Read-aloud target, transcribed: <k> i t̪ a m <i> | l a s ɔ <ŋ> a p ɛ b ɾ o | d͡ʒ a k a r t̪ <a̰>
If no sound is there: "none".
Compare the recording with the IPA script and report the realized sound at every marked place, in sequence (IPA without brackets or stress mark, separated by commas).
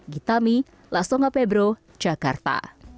ɡ, i, ŋ, a̰